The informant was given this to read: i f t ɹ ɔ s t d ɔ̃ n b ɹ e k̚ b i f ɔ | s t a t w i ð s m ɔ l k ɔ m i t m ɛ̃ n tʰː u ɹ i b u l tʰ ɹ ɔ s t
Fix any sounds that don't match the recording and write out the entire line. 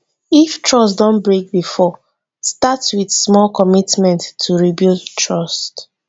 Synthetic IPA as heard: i f t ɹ ɔ s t d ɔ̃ n b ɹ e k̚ b i f ɔ | s t a t w i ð s m ɔ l k ɔ m i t m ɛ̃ n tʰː u ɹ i b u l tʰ ɹ ɔ s t